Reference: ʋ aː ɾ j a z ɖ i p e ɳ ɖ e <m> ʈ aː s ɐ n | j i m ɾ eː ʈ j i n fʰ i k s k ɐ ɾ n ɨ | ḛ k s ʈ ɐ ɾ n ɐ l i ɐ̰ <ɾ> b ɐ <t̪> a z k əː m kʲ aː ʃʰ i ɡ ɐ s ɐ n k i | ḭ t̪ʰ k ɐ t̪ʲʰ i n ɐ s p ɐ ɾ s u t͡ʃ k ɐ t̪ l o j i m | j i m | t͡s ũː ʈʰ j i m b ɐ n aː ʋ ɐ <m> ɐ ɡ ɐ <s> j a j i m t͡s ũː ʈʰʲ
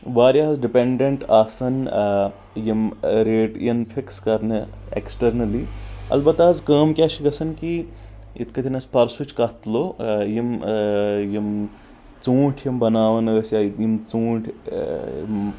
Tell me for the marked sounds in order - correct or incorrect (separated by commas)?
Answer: incorrect, incorrect, correct, incorrect, correct